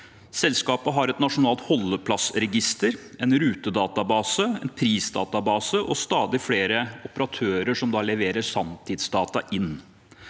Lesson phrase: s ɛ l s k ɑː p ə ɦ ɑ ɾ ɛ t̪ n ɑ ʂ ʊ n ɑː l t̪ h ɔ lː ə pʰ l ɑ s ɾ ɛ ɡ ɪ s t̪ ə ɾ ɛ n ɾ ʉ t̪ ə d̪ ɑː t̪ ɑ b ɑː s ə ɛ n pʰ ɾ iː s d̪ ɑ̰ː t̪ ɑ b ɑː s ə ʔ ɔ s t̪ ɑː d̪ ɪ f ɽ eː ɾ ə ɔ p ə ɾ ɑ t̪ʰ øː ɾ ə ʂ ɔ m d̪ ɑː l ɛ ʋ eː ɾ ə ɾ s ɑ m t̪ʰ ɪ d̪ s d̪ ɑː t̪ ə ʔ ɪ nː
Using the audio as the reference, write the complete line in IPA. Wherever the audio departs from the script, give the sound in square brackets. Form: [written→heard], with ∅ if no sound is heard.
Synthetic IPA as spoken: s ɛ l s k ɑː p ə ɦ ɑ ɾ ɛ t̪ n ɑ ʂ ʊ n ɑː l t̪ h ɔ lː ə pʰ l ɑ s ɾ ɛ ɡ ɪ s t̪ ə ɾ ɛ n ɾ [ʉ→ʉː] t̪ ə d̪ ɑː t̪ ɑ b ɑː s ə ɛ n pʰ ɾ iː s d̪ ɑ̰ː t̪ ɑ b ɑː s ə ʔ ɔ s t̪ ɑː d̪ ɪ f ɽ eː ɾ ə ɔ p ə ɾ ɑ t̪ʰ øː ɾ ə ʂ ɔ m d̪ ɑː l ɛ ʋ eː ɾ ə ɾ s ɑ m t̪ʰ ɪ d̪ s d̪ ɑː t̪ [ə→ɑ] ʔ ɪ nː

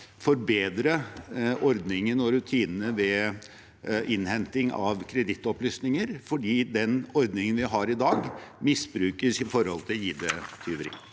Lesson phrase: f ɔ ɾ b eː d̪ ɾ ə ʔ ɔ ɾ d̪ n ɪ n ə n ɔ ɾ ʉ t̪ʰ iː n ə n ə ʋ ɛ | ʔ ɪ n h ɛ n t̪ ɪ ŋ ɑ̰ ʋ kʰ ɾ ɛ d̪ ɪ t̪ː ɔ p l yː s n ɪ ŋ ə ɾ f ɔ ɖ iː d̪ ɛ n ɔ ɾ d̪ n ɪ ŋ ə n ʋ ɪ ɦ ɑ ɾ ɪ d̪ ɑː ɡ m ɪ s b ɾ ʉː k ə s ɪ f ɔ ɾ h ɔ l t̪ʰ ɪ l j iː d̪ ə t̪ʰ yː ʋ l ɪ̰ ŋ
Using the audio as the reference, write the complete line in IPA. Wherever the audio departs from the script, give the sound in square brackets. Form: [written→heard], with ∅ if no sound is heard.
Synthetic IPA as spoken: f ɔ ɾ b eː d̪ ɾ ə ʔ ɔ ɾ d̪ n ɪ [n→ŋ] ə n ɔ ɾ ʉ t̪ʰ iː n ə n ə ʋ ɛ | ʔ ɪ n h ɛ n t̪ ɪ ŋ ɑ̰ ʋ kʰ ɾ ɛ d̪ ɪ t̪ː ɔ p l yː s n ɪ ŋ ə ɾ f ɔ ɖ iː d̪ ɛ n ɔ ɾ d̪ n ɪ ŋ ə n ʋ ɪ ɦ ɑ ɾ ɪ d̪ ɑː ɡ m ɪ s b ɾ ʉː k ə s ɪ f ɔ ɾ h ɔ l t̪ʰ ɪ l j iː d̪ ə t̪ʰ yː ʋ [l→ɾ] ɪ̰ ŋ

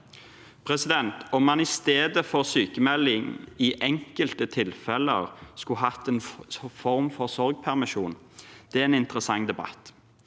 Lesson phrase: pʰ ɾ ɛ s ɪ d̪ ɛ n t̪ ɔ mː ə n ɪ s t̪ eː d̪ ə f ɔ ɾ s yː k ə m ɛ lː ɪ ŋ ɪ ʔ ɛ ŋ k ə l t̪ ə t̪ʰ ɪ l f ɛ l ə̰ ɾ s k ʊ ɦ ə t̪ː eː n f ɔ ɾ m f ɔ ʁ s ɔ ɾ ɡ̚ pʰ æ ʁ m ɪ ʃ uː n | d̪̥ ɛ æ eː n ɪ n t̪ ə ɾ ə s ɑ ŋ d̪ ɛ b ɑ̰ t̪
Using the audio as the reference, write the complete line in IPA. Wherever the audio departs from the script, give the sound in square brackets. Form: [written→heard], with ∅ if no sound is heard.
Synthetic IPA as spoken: pʰ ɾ ɛ s ɪ d̪ ɛ n t̪ ɔ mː [ə→ɑ] n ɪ s t̪ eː d̪ ə f ɔ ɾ s yː k ə m ɛ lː ɪ ŋ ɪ ʔ ɛ ŋ k ə l t̪ ə t̪ʰ ɪ l f ɛ l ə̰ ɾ s k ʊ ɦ [ə→ɑ] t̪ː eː n f ɔ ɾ m f ɔ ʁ s ɔ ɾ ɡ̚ pʰ æ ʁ m ɪ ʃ uː n | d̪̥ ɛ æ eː n ɪ n t̪ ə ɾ ə s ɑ ŋ d̪ ɛ b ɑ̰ t̪

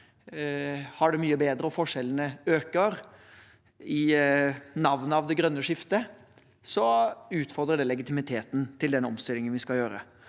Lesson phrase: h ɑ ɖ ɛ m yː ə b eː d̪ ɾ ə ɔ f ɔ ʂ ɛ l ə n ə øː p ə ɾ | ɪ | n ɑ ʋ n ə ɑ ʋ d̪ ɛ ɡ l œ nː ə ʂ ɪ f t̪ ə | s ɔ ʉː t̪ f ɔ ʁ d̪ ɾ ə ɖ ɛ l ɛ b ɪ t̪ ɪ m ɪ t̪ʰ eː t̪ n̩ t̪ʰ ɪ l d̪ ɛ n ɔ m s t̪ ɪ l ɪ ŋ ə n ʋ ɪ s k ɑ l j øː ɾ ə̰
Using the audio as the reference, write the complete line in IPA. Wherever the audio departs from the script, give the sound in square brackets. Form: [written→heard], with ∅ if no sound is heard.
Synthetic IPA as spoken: h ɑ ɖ ɛ m yː ə b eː d̪ ɾ ə ɔ f ɔ ʂ ɛ l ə n ə øː [p→k] ə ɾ | ɪ | n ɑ ʋ n ə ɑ ʋ d̪ ɛ ɡ [l→ɾ] œ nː ə ʂ ɪ f t̪ ə | s ɔ ʉː t̪ f ɔ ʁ d̪ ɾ ə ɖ ɛ l ɛ [b→ɡ] ɪ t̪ ɪ m ɪ t̪ʰ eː t̪ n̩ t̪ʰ ɪ l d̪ ɛ n ɔ m s t̪ ɪ l ɪ ŋ ə n ʋ ɪ s k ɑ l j øː ɾ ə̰

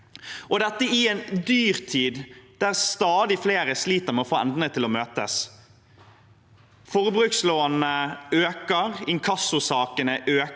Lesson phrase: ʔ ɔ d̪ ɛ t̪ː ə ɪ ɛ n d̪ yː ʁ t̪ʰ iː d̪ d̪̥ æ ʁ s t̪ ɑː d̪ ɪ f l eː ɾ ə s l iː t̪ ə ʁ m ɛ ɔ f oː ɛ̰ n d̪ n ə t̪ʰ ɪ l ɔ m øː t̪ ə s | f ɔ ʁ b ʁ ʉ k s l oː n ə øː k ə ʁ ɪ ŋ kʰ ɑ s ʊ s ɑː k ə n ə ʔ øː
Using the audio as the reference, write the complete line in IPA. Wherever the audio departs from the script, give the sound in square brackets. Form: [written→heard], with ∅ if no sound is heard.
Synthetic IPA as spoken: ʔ ɔ d̪ ɛ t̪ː ə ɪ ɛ n d̪ yː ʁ t̪ʰ iː d̪ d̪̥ æ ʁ s t̪ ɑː d̪ ɪ f l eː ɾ ə s l iː t̪ ə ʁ m ɛ ɔ f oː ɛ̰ n d̪ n ə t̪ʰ ɪ l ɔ m øː t̪ ə s | f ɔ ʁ b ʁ ʉ k s l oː n ə øː k ə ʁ ɪ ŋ kʰ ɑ s ʊ s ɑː k ə n ə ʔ øː

